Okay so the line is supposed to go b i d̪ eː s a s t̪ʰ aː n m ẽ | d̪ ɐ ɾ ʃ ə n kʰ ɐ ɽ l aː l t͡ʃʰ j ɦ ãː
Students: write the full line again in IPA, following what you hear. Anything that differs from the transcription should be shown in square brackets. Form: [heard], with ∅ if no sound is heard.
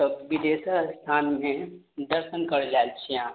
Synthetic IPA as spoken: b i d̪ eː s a s t̪ʰ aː n m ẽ | d̪ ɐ ɾ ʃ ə n [k] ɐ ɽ l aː l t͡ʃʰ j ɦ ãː